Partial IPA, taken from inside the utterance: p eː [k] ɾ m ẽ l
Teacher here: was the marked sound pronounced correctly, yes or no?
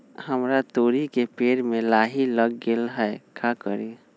no